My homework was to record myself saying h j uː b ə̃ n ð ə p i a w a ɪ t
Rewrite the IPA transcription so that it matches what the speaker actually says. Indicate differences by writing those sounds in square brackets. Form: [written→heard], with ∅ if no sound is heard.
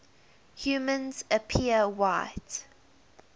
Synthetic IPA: h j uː [b→m] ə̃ n [ð→z] ə [p→pʰ] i [a→ə] w a ɪ t